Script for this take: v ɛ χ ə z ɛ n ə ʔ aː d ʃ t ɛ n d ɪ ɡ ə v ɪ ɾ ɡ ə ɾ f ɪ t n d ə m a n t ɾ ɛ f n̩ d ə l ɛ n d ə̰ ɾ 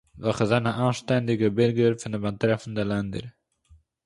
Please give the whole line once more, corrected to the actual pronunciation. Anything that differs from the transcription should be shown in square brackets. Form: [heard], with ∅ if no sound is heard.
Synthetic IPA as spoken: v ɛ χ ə z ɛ n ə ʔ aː [n] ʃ t ɛ n d ɪ ɡ ə [b] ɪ ɾ ɡ ə ɾ f ɪ [∅] n d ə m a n t ɾ ɛ f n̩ d ə l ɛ n d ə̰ ɾ